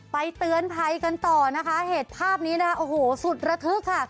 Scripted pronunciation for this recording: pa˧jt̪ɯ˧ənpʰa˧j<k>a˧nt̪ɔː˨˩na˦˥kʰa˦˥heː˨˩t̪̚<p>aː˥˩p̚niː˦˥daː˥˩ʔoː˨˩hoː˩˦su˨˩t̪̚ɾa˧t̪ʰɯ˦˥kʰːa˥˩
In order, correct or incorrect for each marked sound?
correct, incorrect: pʰ

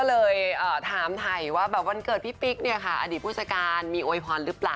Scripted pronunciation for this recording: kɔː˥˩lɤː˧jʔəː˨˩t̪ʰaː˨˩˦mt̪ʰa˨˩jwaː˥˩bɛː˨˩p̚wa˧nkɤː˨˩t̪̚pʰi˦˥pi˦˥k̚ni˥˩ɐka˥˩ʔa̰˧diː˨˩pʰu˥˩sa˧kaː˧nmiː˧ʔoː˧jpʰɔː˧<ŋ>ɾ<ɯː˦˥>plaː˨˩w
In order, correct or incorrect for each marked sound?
incorrect: n, incorrect: ɯ˦˥

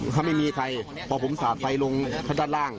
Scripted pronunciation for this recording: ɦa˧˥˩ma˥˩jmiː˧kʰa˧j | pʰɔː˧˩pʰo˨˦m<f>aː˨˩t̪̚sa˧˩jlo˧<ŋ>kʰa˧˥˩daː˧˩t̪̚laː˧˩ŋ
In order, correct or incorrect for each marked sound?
incorrect: s, correct

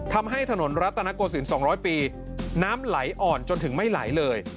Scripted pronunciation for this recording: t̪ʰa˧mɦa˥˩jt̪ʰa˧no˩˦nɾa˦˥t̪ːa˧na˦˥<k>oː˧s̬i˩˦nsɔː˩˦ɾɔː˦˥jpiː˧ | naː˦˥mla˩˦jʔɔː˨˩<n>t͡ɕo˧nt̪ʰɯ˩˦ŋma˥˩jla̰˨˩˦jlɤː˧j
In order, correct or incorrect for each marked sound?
correct, correct

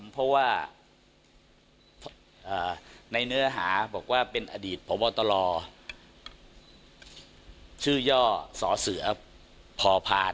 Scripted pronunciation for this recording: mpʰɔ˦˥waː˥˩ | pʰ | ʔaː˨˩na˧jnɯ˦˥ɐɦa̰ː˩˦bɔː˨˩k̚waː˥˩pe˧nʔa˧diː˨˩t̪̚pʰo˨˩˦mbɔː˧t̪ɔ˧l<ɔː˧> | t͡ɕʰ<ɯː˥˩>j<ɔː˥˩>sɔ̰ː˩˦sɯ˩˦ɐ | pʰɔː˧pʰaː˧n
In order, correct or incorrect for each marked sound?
correct, correct, correct

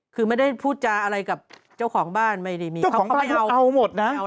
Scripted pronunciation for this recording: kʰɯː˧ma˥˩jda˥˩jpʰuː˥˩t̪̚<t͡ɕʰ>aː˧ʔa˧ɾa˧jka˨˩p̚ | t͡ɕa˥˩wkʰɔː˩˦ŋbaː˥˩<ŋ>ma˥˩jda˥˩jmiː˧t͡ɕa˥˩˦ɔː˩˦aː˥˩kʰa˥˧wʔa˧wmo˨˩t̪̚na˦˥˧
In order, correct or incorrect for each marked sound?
incorrect: t͡ɕ, incorrect: n

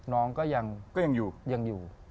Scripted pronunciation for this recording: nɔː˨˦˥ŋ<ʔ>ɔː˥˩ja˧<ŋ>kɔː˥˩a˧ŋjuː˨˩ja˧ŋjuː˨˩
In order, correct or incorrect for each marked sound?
incorrect: k, correct

